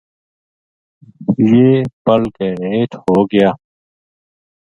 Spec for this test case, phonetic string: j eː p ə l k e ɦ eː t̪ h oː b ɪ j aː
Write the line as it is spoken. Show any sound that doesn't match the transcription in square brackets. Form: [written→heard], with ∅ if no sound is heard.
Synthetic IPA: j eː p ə l k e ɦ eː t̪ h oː [b→ɡ] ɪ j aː